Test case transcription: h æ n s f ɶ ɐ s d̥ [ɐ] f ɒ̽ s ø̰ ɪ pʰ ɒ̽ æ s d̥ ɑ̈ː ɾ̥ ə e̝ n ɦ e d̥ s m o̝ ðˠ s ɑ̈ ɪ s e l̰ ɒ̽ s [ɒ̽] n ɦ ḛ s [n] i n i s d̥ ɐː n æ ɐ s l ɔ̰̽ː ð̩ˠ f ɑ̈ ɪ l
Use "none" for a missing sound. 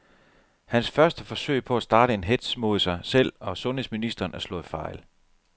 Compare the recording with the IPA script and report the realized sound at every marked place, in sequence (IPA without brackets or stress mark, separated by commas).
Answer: ə, ɔ̽, m